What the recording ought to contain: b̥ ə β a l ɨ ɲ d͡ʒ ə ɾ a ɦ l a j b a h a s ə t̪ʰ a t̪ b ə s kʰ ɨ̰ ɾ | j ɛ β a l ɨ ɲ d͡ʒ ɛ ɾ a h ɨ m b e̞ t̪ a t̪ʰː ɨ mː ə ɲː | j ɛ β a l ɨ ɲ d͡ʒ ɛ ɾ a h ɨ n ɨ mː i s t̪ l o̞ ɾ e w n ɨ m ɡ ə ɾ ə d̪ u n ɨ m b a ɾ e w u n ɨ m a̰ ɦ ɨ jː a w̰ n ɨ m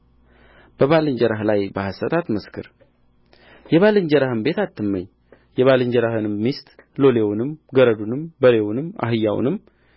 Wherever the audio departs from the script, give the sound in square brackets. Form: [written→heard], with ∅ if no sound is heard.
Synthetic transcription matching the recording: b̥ ə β a l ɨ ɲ d͡ʒ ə ɾ a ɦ l a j b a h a s ə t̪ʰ a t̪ [b→m] ə s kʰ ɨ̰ ɾ | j ɛ β a l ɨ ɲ d͡ʒ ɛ ɾ a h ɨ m b e̞ t̪ a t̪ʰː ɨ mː ə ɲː | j ɛ β a l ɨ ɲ d͡ʒ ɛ ɾ a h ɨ n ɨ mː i s t̪ l o̞ [ɾ→l] e w n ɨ m ɡ ə ɾ ə d̪ u n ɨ m b [a→ə] ɾ e w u n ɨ m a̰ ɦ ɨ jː a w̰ n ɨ m